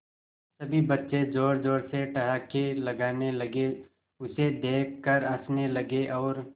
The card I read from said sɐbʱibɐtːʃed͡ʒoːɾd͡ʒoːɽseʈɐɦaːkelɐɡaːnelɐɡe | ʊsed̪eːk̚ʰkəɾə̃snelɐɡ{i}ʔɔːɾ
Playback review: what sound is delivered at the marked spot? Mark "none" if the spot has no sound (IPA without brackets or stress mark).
e